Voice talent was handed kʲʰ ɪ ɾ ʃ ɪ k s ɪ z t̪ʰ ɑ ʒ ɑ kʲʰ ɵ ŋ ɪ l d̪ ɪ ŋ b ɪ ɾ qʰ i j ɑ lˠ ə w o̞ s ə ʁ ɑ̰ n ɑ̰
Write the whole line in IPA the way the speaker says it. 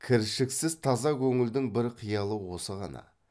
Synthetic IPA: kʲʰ ɪ ɾ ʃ ɪ k s ɪ z t̪ʰ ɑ z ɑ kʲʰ ɵ ŋ ɪ l d̪ ɪ ŋ b ɪ ɾ qʰ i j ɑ lˠ ə w o̞ s ə ʁ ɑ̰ n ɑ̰